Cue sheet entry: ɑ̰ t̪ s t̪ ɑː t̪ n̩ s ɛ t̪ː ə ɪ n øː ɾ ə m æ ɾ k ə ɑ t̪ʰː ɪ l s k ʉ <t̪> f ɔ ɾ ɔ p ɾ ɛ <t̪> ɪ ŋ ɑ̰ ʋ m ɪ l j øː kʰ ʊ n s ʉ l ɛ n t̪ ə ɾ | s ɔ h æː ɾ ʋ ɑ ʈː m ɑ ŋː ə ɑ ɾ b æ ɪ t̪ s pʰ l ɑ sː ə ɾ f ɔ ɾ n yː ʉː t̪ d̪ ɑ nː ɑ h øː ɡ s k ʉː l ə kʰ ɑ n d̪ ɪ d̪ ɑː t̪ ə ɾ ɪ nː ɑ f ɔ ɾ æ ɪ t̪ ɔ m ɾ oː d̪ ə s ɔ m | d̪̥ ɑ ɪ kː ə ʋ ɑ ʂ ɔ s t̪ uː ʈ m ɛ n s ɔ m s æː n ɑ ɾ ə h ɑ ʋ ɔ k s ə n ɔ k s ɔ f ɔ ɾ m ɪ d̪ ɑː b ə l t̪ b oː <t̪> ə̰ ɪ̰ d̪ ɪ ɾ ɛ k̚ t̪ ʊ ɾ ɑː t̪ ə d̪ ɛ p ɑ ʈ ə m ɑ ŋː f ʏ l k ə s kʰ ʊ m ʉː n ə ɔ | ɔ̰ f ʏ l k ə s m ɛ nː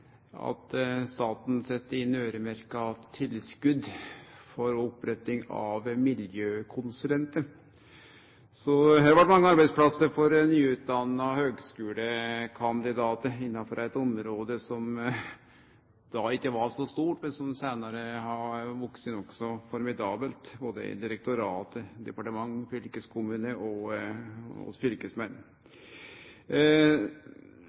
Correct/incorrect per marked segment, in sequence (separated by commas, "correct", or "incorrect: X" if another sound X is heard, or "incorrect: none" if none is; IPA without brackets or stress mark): incorrect: d̪, correct, incorrect: d̪